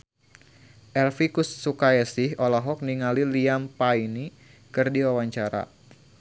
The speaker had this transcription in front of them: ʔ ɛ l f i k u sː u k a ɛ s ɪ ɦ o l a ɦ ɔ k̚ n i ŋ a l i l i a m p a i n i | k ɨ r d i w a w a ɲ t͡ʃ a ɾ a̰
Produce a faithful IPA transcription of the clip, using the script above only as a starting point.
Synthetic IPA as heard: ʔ ɛ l f i k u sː u k a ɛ s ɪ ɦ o l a ɦ ɔ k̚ n i ŋ a l i l i a m p a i n i | k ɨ r d i w a w a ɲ t͡ʃ a ɾ a̰